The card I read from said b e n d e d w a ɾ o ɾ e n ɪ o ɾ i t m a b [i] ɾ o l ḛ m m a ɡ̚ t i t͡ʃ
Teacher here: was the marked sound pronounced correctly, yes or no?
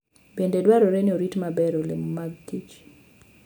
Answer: no